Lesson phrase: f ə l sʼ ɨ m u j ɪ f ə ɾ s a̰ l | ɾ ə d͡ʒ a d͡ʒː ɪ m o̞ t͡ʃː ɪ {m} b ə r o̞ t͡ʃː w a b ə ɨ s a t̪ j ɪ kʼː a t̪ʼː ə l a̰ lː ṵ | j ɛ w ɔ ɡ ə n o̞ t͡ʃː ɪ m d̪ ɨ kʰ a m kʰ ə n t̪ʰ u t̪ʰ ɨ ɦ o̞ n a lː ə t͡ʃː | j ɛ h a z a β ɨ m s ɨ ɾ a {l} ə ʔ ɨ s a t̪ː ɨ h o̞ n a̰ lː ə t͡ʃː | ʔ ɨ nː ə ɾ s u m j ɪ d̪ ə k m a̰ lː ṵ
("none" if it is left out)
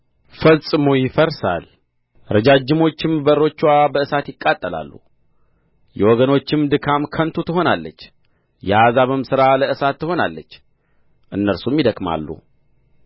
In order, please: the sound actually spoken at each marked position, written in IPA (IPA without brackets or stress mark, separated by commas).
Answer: m, l